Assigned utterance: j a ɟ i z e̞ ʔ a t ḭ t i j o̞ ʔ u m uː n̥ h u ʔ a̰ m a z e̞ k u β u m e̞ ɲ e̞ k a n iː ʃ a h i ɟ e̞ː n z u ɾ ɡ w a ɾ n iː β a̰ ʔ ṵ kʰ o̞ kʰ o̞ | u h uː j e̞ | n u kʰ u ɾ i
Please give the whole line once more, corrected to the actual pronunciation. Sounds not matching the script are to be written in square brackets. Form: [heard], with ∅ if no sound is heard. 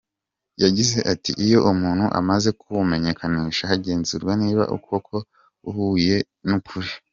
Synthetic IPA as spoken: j a ɟ i z e̞ ʔ a t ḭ [ʔ] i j o̞ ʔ u m uː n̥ h u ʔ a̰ m a z e̞ k u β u m e̞ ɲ e̞ k a n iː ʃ a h [a] ɟ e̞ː n z u ɾ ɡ w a [∅] n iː β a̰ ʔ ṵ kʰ o̞ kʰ o̞ | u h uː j e̞ | n u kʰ u ɾ i